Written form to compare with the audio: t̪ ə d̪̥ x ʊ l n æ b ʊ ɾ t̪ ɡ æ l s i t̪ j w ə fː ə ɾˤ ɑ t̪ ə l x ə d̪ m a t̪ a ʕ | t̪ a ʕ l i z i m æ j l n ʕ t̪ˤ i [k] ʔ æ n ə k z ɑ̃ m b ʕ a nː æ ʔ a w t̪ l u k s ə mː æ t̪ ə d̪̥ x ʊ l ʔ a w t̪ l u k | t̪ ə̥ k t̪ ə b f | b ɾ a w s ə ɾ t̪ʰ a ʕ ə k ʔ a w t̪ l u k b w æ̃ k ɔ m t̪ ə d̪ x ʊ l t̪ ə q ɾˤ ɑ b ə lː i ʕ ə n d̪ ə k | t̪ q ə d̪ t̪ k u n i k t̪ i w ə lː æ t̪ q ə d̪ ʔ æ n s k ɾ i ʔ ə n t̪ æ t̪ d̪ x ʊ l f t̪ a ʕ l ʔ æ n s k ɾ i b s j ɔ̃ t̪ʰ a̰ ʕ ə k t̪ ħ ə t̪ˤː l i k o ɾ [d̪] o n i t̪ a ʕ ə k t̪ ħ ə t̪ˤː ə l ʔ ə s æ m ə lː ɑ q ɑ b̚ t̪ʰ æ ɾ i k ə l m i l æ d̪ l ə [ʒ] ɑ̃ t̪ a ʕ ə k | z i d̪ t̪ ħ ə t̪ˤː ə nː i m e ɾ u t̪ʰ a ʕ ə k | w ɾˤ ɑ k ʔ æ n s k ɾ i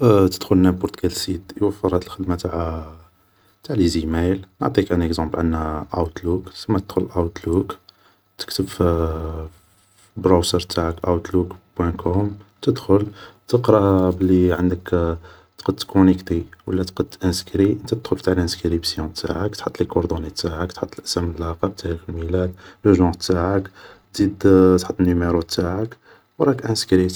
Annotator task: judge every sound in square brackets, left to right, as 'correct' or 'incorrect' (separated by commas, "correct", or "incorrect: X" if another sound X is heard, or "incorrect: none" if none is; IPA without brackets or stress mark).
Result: correct, correct, correct